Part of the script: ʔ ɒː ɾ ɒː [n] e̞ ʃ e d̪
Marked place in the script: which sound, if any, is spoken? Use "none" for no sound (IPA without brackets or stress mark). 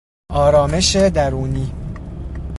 m